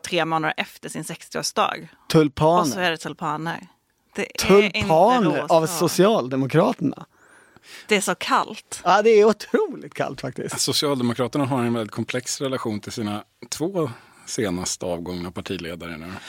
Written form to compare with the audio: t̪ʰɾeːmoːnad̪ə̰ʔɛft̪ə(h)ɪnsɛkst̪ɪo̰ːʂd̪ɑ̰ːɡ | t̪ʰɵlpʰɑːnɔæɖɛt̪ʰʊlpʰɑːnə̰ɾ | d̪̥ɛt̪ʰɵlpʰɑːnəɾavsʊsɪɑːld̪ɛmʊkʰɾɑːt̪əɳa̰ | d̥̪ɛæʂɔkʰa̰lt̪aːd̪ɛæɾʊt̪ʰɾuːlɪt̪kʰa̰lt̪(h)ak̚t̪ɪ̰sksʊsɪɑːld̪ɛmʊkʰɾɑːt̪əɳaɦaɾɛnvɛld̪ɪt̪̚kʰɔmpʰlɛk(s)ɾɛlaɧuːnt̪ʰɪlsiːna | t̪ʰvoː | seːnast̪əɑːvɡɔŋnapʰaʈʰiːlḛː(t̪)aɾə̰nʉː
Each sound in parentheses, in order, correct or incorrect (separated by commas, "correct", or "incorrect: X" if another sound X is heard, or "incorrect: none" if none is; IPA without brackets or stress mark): incorrect: ʂ, incorrect: f, correct, incorrect: d̪